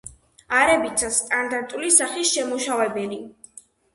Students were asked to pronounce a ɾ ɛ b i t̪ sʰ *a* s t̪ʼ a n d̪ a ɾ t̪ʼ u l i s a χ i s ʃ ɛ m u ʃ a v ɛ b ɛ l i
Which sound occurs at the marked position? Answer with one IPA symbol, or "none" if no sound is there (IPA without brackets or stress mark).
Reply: a